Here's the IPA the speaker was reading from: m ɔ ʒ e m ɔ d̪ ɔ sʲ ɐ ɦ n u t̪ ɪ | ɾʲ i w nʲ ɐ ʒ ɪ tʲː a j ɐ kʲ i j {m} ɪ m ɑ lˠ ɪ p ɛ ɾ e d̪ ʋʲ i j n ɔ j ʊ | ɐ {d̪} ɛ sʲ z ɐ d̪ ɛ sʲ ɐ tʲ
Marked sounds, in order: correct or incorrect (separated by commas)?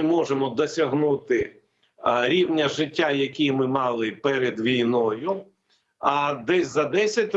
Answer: correct, correct